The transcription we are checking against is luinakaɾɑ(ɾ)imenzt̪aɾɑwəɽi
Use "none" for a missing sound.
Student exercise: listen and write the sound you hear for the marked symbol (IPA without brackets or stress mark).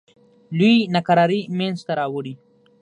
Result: ɾ